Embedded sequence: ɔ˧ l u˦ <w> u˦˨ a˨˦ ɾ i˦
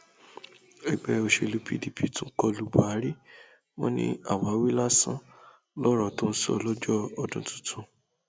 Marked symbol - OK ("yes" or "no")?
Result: no